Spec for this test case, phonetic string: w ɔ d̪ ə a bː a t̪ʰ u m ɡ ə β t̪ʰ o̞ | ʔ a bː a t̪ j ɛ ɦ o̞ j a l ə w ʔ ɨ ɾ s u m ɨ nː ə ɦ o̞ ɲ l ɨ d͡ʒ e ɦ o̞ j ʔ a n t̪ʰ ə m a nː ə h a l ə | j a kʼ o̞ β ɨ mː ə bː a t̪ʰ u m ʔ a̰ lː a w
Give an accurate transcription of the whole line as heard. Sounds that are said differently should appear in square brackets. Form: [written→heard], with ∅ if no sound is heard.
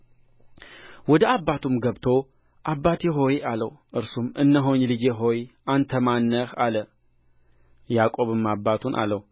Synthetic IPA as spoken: w ɔ d̪ ə a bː a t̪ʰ u m ɡ ə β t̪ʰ o̞ | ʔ a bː a t̪ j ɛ ɦ o̞ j a l ə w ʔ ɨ ɾ s u m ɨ nː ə ɦ o̞ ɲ l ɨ d͡ʒ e ɦ o̞ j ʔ a n t̪ʰ ə m a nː ə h a l ə | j a kʼ o̞ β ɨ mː [ə→a] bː a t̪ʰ u [m→n] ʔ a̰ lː [a→ə] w